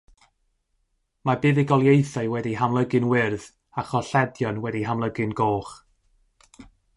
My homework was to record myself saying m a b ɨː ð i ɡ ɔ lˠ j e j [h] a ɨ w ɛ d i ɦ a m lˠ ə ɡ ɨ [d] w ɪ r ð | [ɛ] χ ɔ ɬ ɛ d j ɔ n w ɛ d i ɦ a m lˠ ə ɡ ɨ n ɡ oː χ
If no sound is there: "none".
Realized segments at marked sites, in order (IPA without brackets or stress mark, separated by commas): θ, n, a